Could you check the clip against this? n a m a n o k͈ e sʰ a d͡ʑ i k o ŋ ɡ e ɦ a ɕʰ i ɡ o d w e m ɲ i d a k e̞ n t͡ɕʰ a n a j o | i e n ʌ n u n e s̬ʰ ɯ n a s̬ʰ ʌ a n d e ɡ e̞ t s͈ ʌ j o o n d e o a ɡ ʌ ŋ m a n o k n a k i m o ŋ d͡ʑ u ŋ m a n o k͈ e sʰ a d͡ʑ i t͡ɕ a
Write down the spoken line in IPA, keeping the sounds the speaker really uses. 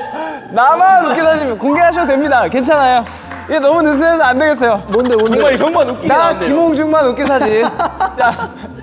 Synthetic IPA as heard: n a m a n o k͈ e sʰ a d͡ʑ i k o ŋ ɡ e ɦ a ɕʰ i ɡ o d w e m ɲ i d a k e̞ n t͡ɕʰ a n a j o | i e n ʌ m u n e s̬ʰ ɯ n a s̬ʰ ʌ a n d e ɡ e̞ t s͈ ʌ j o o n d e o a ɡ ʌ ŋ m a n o k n a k i m o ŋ d͡ʑ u ŋ m a n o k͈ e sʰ a d͡ʑ i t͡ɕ a